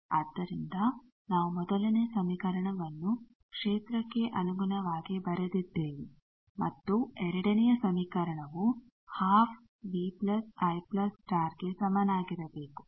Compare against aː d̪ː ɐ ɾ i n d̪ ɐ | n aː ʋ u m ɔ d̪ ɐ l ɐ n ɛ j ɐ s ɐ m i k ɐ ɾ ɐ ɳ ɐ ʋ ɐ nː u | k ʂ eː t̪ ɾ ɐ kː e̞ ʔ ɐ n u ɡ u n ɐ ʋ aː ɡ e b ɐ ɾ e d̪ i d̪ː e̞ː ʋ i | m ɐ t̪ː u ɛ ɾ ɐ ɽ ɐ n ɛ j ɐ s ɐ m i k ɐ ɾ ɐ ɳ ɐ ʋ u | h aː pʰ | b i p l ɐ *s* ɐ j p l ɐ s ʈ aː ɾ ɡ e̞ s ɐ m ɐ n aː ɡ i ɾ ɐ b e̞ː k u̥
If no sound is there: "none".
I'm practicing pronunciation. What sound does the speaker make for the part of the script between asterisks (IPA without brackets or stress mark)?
s